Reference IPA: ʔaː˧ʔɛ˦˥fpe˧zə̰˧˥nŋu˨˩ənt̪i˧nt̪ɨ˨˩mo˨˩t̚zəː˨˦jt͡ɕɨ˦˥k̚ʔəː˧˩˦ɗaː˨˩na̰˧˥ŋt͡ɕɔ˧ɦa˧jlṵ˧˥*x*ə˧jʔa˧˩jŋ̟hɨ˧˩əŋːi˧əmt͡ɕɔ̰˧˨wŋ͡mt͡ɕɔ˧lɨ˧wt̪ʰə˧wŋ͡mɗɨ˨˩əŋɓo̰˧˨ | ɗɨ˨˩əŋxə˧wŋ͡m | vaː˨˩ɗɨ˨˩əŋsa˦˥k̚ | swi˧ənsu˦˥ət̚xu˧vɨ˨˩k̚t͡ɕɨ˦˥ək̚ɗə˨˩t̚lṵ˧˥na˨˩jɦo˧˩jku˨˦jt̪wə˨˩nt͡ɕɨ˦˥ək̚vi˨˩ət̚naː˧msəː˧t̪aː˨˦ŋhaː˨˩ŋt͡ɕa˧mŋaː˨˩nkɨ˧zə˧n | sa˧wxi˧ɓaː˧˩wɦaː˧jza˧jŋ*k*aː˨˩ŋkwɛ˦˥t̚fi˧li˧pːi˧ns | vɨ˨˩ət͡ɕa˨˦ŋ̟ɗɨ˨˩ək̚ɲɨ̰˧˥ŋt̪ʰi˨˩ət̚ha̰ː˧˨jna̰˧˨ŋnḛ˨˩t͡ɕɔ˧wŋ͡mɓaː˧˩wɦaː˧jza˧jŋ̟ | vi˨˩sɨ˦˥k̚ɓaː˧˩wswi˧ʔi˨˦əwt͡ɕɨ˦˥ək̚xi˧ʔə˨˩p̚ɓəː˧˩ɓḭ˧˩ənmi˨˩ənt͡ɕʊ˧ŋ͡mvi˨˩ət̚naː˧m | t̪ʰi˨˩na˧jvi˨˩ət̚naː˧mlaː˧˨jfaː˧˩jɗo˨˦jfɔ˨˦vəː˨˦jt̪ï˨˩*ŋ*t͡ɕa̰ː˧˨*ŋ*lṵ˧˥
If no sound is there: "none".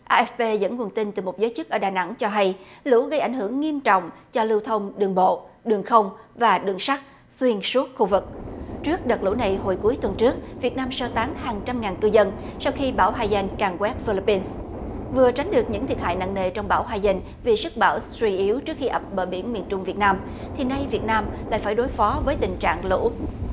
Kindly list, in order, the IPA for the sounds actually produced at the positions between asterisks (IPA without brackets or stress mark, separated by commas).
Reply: ɣ, k, ŋ, ŋ